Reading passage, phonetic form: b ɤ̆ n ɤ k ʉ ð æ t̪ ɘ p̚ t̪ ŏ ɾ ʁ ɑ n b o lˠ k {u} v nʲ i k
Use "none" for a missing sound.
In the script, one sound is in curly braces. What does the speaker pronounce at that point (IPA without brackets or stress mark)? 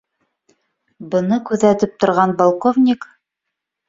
o